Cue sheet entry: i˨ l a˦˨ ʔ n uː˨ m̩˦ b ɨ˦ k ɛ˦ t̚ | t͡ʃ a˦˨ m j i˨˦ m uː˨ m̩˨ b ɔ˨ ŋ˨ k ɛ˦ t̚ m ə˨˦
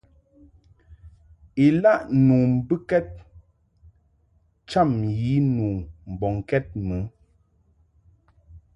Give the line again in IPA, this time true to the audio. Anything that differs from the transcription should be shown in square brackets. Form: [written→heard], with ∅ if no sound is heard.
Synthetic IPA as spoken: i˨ l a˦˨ ʔ n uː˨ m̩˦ b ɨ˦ k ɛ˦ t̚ | t͡ʃ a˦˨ m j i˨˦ [m→n] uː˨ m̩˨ b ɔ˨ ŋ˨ k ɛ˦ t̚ m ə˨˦